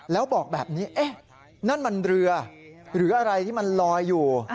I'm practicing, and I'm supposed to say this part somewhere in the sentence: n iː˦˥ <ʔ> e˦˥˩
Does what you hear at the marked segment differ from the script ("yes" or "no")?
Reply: no